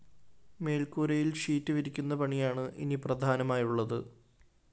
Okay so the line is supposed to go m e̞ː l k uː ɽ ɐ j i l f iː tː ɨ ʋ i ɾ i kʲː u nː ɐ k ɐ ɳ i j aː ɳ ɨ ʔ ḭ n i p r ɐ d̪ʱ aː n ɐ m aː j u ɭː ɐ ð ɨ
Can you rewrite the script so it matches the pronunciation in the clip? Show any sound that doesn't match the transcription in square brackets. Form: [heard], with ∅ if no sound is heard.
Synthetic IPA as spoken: m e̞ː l k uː [ɾ] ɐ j i l [ʂ] iː tː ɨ ʋ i ɾ i kʲː u nː ɐ [p] ɐ ɳ i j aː ɳ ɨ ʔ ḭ n i p r ɐ d̪ʱ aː n ɐ m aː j u ɭː ɐ ð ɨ